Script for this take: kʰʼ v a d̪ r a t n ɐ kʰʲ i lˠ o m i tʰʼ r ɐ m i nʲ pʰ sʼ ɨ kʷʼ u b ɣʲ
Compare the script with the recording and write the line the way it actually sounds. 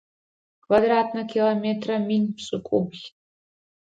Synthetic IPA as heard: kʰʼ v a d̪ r a t n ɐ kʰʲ i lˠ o m e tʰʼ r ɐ m i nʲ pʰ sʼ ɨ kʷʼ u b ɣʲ